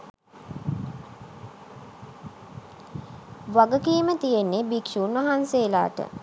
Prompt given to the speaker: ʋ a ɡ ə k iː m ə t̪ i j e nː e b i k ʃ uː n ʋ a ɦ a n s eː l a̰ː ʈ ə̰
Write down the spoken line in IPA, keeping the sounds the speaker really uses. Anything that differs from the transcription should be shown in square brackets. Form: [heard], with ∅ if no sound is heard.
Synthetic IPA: ʋ a ɡ ə k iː m ə t̪ i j e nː e b i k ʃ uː n ʋ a ɦ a n s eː l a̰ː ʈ ə̰